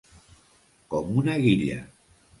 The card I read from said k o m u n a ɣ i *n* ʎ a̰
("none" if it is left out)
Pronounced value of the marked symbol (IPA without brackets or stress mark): none